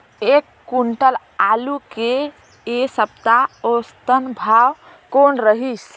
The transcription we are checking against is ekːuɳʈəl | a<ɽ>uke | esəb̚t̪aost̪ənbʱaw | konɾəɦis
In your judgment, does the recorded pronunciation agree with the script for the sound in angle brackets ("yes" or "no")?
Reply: no